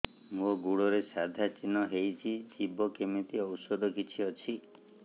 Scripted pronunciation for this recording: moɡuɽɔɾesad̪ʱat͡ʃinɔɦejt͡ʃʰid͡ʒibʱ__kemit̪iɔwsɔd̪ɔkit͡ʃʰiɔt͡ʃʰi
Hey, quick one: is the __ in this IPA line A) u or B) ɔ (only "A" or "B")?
B